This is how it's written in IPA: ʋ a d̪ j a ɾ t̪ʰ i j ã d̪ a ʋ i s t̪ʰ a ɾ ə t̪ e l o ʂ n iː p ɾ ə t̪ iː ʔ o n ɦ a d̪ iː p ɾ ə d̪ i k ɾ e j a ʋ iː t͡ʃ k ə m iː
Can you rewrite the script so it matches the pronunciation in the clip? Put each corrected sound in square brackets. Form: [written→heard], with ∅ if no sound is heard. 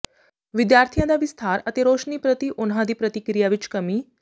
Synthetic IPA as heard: ʋ [a→i] d̪ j a ɾ t̪ʰ i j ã d̪ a ʋ i s t̪ʰ a ɾ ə t̪ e [l→ɾ] o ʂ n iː p ɾ ə t̪ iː ʔ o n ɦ a d̪ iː p ɾ ə [d̪→t̪] i k ɾ [e→i] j a ʋ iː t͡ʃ k ə m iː